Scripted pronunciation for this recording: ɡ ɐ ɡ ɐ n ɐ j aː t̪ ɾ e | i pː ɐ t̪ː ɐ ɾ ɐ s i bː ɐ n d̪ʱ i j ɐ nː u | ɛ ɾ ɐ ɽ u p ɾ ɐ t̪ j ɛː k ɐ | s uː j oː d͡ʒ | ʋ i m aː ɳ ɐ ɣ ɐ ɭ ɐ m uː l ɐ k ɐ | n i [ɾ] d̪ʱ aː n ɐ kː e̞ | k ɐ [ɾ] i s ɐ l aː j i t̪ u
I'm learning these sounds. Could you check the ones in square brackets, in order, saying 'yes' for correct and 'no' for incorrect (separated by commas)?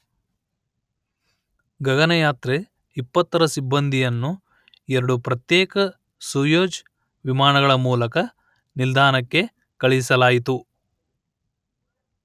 no, no